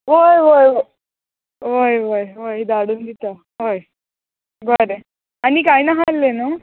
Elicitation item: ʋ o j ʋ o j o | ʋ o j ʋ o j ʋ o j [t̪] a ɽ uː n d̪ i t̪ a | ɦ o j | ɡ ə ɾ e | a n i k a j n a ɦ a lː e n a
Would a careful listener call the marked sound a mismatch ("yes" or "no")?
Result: yes